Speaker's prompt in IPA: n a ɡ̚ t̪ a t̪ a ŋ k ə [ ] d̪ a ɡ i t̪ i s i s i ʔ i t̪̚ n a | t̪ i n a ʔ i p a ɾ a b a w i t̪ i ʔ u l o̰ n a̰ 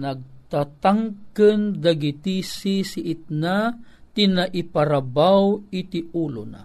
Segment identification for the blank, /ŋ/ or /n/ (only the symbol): n